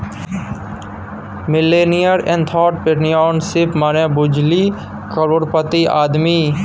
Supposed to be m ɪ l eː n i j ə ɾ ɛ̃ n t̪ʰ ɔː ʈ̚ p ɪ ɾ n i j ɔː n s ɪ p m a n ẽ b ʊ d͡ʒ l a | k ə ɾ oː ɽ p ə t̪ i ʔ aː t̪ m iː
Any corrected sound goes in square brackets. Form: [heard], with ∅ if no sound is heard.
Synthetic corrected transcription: m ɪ l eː n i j ə ɾ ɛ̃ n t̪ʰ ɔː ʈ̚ p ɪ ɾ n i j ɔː n s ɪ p m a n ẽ b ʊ d͡ʒ l [i] | k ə ɾ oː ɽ p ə t̪ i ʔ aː [d̪] m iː